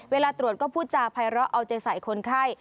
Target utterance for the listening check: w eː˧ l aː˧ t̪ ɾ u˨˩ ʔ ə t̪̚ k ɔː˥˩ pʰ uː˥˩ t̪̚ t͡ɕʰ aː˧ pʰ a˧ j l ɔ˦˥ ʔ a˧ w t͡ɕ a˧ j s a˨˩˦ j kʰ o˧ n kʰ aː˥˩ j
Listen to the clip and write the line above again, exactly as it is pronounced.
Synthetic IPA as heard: w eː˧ l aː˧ t̪ ɾ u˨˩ ə t̪̚ k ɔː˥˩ pʰ uː˥˩ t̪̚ t͡ɕ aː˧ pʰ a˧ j ɾ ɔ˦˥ ʔ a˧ w t͡ɕ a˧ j s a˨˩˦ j kʰ o˧ n kʰ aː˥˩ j